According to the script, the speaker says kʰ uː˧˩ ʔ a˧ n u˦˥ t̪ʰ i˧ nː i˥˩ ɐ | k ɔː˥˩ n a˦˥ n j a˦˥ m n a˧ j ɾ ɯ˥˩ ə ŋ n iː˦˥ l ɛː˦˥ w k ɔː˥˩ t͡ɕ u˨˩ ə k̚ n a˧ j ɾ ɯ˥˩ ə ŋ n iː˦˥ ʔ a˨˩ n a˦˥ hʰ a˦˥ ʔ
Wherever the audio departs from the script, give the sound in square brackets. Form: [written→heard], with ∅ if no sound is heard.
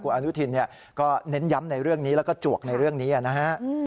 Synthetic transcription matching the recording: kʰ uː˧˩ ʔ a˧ n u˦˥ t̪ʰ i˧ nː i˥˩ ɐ | k ɔː˥˩ n [a˦˥→e˦˥] n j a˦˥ m n a˧ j ɾ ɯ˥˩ ə ŋ n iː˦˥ l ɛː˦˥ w k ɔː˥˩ t͡ɕ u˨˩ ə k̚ n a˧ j ɾ ɯ˥˩ ə ŋ n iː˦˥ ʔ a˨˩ n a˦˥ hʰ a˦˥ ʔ